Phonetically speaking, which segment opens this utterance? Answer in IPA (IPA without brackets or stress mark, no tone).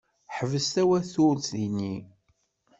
ħ